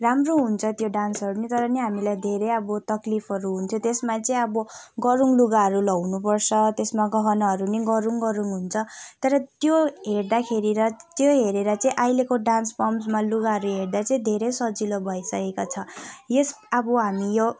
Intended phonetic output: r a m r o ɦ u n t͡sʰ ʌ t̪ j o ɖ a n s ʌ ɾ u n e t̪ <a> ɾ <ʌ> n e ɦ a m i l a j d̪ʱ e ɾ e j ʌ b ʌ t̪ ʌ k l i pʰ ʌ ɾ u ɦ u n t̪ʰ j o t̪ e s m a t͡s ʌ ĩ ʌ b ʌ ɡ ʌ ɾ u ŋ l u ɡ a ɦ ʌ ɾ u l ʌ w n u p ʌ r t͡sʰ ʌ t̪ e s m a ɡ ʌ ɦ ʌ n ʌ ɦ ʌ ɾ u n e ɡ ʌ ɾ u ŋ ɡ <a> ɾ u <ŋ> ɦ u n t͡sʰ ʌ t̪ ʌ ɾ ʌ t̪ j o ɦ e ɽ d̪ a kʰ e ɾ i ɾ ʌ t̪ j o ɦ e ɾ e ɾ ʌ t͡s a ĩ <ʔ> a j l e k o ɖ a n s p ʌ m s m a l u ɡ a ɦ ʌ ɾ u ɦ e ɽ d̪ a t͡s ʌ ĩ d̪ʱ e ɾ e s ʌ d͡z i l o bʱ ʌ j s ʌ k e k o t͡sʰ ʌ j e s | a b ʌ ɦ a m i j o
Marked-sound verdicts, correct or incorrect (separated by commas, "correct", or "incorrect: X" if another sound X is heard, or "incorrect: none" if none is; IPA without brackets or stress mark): incorrect: ʌ, correct, incorrect: ʌ, correct, correct